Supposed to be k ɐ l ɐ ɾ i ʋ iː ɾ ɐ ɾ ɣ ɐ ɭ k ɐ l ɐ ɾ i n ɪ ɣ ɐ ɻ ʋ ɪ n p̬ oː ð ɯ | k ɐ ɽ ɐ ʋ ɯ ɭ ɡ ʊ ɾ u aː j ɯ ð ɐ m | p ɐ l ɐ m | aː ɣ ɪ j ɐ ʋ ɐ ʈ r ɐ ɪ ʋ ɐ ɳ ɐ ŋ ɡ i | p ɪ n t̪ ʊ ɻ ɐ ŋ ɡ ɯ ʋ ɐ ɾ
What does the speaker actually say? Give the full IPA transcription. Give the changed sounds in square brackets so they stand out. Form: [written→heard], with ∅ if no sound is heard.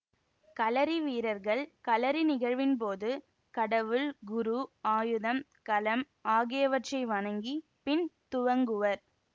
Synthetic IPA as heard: k ɐ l ɐ ɾ i ʋ iː ɾ ɐ ɾ ɣ ɐ ɭ k ɐ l ɐ ɾ i n ɪ ɣ ɐ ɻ ʋ ɪ n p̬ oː ð ɯ | k ɐ ɽ ɐ ʋ ɯ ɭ ɡ ʊ ɾ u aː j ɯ ð ɐ m | [p→k] ɐ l ɐ m | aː ɣ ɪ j ɐ ʋ ɐ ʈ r ɐ ɪ ʋ ɐ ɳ ɐ ŋ ɡ i | p ɪ n t̪ ʊ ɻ ɐ ŋ ɡ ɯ ʋ ɐ ɾ

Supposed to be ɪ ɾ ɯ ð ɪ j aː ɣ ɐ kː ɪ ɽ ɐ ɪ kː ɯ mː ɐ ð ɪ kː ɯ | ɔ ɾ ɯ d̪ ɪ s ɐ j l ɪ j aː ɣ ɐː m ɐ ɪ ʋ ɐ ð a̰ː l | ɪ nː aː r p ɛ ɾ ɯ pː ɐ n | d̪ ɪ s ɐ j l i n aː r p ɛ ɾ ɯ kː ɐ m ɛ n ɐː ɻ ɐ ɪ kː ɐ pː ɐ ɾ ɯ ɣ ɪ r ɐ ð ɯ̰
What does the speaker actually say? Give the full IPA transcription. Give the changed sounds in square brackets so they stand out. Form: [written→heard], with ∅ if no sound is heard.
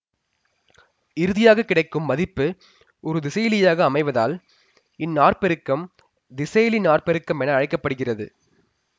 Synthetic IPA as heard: ɪ ɾ ɯ ð ɪ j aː ɣ ɐ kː ɪ ɽ ɐ ɪ kː ɯ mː ɐ ð ɪ [kː→pː] ɯ | ɔ ɾ ɯ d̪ ɪ s ɐ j l ɪ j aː ɣ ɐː m ɐ ɪ ʋ ɐ ð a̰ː l | ɪ nː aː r p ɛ ɾ ɯ [pː→kː] ɐ [n→m] | d̪ ɪ s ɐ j l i n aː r p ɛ ɾ ɯ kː ɐ m ɛ n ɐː ɻ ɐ ɪ kː ɐ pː ɐ [ɾ→ɽ] ɯ ɣ ɪ r ɐ ð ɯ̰

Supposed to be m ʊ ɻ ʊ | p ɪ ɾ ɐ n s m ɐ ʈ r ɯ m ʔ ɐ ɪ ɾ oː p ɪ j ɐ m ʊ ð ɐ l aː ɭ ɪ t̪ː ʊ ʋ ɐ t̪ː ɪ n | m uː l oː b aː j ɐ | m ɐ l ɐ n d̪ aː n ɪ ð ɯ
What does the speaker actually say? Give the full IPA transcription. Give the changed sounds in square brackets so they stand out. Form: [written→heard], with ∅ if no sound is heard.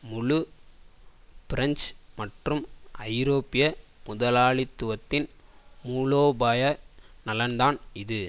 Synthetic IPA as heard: m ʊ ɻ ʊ | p ɪ ɾ ɐ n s m ɐ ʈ r ɯ m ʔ ɐ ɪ ɾ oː p ɪ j ɐ m ʊ ð ɐ l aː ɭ ɪ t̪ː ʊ ʋ ɐ t̪ː ɪ n | m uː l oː b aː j ɐ | [m→n] ɐ l ɐ n d̪ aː n ɪ ð ɯ

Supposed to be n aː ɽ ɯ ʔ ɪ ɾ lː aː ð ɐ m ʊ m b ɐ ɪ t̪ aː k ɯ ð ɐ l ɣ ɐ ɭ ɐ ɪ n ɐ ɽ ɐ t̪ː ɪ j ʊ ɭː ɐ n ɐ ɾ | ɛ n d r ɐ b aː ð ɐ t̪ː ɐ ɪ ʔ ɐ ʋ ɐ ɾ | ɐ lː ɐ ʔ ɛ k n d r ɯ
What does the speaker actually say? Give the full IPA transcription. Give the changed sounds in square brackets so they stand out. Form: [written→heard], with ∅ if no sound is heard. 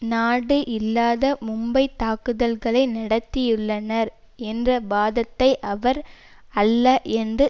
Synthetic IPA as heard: n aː ɽ ɯ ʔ ɪ [ɾ→∅] lː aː ð ɐ m ʊ m b ɐ ɪ t̪ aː k ɯ ð ɐ l ɣ ɐ ɭ ɐ ɪ n ɐ ɽ ɐ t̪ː ɪ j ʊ ɭː ɐ n ɐ ɾ | ɛ n d r ɐ b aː ð ɐ t̪ː ɐ ɪ ʔ ɐ ʋ ɐ ɾ | ɐ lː ɐ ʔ ɛ [k→∅] n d r ɯ

